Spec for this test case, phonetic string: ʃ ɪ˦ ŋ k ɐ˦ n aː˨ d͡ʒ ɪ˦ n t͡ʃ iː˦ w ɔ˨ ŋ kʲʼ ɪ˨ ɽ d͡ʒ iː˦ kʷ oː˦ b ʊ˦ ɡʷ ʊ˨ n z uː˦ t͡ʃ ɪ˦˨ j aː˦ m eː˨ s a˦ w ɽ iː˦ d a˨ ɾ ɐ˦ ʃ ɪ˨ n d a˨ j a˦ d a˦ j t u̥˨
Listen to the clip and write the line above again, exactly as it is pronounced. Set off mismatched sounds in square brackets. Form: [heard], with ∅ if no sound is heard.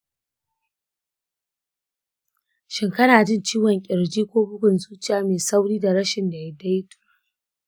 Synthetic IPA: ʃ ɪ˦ ŋ k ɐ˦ n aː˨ d͡ʒ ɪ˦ n t͡ʃ iː˦ w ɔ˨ ŋ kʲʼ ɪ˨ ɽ d͡ʒ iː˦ kʷ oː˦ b ʊ˦ ɡʷ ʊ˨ n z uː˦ t͡ʃ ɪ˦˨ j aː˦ m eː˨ s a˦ w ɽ iː˦ d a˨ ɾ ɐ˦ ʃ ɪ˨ n d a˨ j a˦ d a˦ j t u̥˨